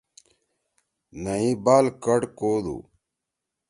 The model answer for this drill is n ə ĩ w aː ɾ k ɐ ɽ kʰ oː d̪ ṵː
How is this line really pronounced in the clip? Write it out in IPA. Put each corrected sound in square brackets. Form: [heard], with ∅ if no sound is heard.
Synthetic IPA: n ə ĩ [b] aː [l] k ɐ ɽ [k] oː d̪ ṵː